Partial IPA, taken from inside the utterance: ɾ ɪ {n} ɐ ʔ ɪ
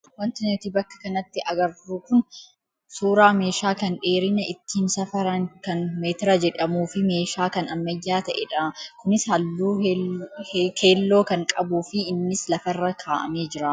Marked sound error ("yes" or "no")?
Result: no